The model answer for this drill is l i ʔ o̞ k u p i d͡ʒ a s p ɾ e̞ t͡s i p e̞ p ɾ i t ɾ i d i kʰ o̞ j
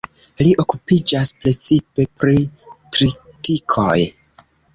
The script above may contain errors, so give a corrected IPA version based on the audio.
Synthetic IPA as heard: l i ʔ o̞ k u p i d͡ʒ a s p ɾ e̞ t͡s i p e̞ p ɾ i t ɾ i t i kʰ o̞ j